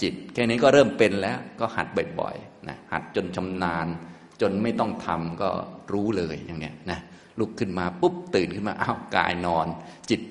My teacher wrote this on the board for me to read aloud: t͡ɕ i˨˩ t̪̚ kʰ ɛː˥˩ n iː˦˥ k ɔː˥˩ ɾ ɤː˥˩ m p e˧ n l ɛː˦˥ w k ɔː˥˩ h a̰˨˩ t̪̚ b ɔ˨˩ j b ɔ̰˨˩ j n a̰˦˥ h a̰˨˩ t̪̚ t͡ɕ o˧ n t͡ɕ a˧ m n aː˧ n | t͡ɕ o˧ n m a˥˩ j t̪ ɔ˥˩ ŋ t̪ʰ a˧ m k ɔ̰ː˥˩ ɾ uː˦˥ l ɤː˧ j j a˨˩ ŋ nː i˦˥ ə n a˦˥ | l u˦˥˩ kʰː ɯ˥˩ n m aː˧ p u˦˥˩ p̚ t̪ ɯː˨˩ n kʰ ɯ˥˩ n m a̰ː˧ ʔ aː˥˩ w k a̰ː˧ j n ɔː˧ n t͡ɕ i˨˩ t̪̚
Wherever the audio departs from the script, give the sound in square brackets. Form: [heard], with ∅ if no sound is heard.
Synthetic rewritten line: t͡ɕ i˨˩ t̪̚ kʰ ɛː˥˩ n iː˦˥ k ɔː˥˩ ɾ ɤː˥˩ m p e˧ n l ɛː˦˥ w k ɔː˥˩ h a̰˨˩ t̪̚ b ɔ˨˩ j b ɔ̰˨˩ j n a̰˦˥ h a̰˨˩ t̪̚ t͡ɕ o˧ n [t͡ɕʰ] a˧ m n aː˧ n | t͡ɕ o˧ n m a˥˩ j t̪ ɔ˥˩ ŋ t̪ʰ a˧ m k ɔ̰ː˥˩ ɾ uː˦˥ l ɤː˧ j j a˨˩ ŋ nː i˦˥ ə n a˦˥ | l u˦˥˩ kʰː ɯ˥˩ n m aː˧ p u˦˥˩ p̚ t̪ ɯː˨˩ n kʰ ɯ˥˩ n m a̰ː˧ ʔ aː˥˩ w k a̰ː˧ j n ɔː˧ n t͡ɕ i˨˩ t̪̚